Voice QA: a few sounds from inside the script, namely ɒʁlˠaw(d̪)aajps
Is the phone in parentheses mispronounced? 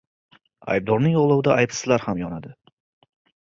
no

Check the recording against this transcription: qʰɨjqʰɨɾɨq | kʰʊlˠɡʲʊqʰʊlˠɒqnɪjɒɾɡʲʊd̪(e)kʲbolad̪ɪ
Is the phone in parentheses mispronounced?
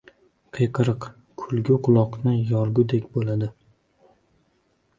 no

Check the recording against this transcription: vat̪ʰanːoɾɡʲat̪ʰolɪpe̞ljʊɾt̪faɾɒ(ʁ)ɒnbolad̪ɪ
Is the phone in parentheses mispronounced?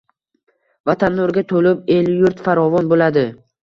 yes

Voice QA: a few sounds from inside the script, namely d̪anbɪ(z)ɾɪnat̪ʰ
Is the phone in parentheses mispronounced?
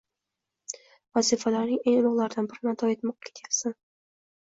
yes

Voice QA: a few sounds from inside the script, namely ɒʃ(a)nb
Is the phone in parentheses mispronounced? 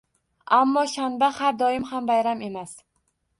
no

